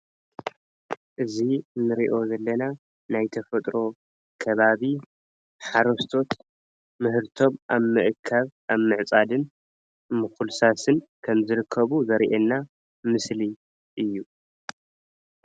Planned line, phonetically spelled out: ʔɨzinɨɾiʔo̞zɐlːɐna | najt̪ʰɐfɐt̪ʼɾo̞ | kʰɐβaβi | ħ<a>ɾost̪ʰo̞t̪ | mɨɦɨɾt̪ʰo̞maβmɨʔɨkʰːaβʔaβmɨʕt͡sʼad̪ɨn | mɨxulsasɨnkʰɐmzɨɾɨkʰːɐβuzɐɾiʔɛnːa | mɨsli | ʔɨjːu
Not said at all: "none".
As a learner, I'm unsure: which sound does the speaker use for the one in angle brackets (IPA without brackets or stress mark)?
a